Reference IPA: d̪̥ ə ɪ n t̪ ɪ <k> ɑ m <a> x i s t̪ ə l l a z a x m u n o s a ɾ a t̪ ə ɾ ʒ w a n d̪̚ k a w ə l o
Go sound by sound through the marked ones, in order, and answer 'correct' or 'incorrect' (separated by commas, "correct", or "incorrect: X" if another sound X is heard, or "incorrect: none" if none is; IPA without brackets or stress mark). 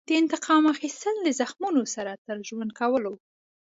incorrect: q, correct